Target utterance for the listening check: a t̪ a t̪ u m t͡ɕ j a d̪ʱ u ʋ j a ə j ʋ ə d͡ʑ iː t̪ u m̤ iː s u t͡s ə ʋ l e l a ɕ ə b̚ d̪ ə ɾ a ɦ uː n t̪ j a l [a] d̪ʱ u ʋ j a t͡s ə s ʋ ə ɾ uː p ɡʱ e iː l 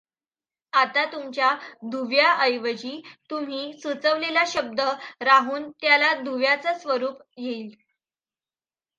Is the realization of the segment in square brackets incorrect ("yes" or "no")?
no